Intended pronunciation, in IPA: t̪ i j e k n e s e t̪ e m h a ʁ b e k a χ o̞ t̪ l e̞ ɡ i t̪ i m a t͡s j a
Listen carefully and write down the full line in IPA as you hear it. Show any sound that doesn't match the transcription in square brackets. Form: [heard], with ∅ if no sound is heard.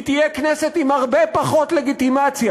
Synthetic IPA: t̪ i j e k n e s e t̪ [i] m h a ʁ b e [p] a χ o̞ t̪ l e̞ ɡ i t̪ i m a t͡s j a